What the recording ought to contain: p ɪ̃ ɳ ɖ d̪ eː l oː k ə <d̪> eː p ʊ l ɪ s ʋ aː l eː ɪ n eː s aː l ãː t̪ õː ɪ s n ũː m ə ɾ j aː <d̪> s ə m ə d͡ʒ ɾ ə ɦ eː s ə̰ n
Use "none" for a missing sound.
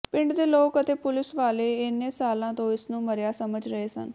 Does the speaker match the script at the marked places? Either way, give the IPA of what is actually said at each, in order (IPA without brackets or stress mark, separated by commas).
t̪, none